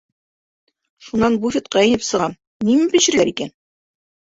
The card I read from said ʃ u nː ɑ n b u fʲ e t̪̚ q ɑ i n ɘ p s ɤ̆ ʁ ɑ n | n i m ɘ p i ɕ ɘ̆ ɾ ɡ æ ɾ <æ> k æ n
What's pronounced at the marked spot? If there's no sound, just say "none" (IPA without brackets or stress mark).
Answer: i